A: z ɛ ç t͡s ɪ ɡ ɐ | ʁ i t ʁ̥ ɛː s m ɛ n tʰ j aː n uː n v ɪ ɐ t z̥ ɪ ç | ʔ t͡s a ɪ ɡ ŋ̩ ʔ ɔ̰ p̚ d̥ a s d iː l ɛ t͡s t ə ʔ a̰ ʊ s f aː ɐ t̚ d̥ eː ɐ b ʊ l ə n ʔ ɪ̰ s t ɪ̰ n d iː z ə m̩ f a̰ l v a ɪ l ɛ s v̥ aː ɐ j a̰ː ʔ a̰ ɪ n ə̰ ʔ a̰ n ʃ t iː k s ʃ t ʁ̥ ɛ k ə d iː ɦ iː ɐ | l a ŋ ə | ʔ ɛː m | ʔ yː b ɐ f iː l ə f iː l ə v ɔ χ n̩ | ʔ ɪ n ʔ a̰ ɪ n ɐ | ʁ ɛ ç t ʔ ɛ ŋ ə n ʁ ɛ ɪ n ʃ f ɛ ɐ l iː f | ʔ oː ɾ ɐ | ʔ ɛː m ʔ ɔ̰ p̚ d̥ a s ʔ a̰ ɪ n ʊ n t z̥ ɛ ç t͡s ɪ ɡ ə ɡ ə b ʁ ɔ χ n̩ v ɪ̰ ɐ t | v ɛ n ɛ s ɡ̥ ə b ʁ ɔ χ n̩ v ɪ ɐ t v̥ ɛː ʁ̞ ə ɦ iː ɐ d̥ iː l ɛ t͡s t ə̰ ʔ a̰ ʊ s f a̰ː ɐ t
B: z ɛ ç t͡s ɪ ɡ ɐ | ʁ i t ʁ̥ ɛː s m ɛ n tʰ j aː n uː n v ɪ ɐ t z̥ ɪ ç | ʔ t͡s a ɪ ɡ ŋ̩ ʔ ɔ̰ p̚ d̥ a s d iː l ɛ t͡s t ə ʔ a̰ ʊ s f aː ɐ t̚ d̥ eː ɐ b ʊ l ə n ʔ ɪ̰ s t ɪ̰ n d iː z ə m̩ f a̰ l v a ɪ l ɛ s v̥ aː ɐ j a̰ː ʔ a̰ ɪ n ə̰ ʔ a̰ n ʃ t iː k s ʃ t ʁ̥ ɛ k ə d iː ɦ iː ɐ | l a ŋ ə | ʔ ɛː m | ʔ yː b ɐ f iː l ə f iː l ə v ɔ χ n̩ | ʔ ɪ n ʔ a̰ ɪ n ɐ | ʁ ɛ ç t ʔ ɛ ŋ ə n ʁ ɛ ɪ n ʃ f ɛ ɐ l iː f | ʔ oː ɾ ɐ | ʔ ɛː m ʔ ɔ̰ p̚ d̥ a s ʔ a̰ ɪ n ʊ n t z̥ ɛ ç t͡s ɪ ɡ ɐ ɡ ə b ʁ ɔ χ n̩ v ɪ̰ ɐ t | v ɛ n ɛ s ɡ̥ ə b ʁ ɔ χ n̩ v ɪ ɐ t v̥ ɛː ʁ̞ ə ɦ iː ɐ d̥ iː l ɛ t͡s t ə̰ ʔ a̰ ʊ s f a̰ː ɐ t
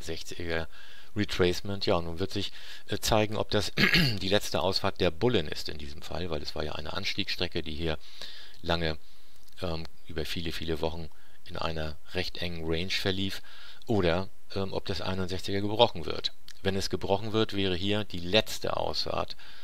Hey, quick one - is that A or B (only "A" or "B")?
B